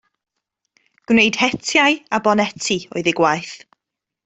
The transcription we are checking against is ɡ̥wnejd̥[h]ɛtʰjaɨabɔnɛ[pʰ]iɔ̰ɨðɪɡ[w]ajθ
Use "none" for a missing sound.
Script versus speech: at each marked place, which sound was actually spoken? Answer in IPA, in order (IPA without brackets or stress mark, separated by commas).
h, tʰ, w